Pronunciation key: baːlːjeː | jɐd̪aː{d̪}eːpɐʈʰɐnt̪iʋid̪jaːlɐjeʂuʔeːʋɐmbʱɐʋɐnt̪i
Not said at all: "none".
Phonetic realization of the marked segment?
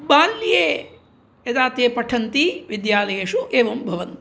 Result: t̪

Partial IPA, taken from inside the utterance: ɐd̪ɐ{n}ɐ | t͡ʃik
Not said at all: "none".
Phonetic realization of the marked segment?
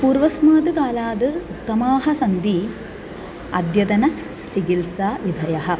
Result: n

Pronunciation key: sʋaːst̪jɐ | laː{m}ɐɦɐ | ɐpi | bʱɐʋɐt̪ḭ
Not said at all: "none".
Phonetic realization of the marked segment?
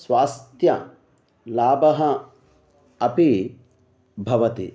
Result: b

